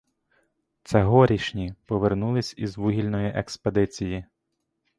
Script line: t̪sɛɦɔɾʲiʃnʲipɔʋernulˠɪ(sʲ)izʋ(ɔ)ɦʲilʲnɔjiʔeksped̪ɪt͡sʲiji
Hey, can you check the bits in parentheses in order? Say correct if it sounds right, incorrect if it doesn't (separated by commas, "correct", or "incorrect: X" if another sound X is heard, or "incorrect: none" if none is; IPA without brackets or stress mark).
correct, incorrect: u